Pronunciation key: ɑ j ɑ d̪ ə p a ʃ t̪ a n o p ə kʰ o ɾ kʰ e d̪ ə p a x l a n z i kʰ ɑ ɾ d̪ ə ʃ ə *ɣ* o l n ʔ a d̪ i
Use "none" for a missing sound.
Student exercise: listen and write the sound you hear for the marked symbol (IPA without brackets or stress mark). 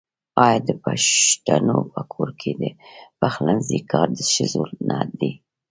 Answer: z